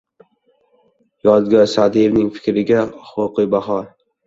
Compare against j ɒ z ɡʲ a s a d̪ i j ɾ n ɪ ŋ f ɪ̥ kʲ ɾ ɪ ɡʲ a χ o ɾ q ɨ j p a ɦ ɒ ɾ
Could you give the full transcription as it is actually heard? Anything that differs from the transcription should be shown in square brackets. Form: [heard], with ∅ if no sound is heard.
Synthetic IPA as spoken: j ɒ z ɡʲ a s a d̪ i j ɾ n ɪ ŋ f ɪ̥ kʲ ɾ ɪ ɡʲ a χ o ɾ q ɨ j [b] a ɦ ɒ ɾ